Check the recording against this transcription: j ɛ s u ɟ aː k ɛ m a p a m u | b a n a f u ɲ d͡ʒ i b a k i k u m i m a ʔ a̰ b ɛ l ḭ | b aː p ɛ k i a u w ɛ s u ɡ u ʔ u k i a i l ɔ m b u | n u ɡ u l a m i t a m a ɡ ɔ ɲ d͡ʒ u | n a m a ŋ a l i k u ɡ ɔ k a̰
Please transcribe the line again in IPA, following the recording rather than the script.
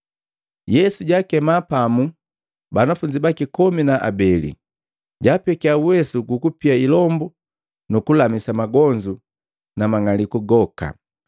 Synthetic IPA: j ɛ s u ɟ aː k ɛ m a p a m u | b a n a f u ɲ d͡ʒ i b a k i k ɔ m i n a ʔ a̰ b ɛ l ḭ | ɟ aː p ɛ k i a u w ɛ s u ɡ u k u p i a i l ɔ m b u | n u k u l a m i s a m a ɡ ɔ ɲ d͡ʒ u | n a m a ŋ a l i k u ɡ ɔ k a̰